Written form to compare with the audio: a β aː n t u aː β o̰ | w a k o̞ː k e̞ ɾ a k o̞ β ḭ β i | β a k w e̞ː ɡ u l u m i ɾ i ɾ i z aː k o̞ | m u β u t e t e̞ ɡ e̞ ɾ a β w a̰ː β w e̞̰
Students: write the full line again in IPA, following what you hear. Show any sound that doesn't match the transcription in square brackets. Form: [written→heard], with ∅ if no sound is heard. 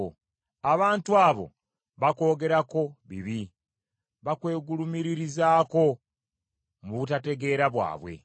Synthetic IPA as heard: a β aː n t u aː β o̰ | [w→β] a k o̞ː [k→ɡ] e̞ ɾ a k o̞ β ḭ β i | β a k w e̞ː ɡ u l u m i ɾ i ɾ i z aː k o̞ | m u β u t [e→a] t e̞ ɡ e̞ ɾ a β w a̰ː β w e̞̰